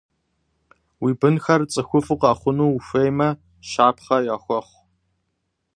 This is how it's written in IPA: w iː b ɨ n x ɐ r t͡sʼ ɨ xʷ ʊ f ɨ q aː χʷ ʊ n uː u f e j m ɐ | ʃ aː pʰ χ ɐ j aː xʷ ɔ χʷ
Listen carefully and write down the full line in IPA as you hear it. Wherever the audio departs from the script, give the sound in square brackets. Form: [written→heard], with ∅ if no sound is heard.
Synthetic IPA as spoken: w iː b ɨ n x ɐ r t͡sʼ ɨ xʷ ʊ f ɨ q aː χʷ ʊ n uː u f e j m ɐ | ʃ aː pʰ χ ɐ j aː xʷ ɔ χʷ